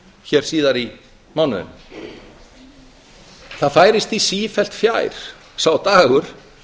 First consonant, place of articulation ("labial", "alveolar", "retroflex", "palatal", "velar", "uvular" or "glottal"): palatal